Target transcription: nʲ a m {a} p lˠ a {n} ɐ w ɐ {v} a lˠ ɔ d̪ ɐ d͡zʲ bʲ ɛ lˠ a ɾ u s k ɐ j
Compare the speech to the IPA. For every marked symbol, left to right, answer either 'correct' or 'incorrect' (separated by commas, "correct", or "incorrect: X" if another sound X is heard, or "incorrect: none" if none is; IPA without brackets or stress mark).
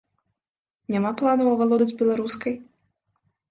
correct, correct, correct